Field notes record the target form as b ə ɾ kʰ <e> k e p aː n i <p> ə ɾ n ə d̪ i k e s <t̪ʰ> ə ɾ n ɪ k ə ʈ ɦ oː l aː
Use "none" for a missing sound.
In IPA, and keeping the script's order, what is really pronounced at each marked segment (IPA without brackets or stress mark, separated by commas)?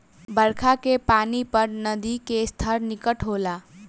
a, p, t̪ʰ